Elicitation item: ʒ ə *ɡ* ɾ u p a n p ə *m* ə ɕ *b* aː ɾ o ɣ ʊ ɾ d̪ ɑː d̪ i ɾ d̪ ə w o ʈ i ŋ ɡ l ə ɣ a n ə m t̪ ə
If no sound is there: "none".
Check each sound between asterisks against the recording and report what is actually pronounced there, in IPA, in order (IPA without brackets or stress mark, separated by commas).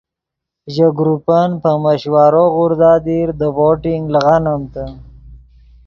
ɡ, m, w